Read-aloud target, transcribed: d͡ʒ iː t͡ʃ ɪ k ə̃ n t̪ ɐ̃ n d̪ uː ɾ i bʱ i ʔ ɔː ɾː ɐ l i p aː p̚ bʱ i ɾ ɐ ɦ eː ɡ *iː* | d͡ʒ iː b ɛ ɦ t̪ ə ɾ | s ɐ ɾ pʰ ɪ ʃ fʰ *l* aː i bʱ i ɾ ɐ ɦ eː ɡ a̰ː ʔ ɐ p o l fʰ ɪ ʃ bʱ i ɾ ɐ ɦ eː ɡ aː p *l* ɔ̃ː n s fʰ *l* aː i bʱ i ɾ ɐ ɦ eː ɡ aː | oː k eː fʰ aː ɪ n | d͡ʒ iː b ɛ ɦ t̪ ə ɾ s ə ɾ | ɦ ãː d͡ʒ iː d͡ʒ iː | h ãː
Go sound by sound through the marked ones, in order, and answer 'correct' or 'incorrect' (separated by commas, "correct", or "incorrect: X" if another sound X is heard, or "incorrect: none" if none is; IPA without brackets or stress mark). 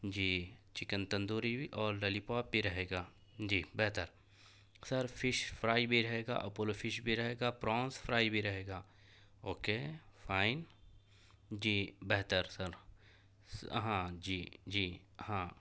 incorrect: aː, incorrect: ɾ, incorrect: ɾ, incorrect: ɾ